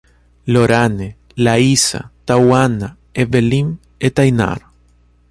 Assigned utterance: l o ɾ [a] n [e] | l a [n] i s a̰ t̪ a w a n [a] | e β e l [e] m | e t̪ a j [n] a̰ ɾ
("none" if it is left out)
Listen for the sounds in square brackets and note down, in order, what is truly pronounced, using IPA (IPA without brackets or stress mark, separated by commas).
a, e, none, a, i, n